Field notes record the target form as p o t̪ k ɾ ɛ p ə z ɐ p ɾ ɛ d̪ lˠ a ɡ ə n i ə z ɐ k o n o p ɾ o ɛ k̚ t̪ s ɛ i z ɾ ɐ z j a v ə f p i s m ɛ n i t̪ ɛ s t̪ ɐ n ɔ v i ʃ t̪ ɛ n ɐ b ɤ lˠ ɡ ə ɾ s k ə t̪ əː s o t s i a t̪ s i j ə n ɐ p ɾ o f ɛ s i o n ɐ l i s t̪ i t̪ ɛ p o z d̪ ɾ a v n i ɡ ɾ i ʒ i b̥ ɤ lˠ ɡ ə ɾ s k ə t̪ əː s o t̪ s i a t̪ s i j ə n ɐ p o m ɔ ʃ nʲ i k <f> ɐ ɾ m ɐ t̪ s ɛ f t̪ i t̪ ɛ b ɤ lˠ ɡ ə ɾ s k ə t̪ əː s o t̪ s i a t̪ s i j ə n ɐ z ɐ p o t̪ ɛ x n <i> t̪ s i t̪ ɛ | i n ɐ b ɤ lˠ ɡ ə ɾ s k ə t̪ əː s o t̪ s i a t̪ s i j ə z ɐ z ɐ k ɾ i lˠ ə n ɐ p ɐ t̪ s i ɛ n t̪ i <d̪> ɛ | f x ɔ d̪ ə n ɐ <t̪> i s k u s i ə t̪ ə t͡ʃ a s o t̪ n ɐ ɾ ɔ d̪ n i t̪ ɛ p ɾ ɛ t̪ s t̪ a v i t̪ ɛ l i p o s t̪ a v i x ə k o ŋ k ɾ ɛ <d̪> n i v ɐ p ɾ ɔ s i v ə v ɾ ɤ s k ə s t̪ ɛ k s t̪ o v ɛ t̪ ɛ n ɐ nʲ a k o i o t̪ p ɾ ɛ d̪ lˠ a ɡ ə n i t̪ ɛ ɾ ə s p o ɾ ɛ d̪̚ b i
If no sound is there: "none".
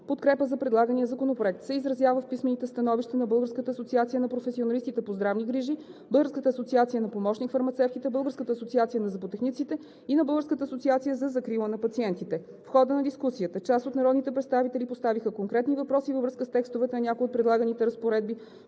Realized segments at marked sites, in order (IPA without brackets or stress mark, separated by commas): f, i, t̪, d̪, t̪